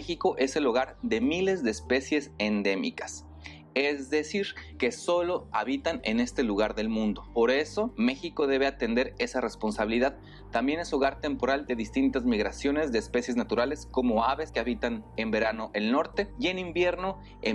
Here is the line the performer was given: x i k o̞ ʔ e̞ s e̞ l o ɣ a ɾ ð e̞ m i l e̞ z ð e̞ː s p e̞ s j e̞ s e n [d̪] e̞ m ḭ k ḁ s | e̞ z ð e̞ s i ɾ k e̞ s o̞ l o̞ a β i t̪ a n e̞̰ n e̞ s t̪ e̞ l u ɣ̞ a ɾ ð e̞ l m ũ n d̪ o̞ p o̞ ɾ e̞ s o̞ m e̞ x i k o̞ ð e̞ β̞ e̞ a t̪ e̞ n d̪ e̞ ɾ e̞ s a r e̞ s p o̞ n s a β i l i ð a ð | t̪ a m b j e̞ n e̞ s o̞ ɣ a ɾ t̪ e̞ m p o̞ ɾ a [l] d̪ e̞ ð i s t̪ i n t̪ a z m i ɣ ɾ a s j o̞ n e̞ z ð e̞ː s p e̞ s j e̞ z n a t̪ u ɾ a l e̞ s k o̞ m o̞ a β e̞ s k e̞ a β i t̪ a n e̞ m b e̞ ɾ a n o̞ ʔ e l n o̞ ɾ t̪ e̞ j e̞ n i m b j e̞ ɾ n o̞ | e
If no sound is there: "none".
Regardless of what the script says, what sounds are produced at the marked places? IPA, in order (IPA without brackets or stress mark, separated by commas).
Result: d̪, l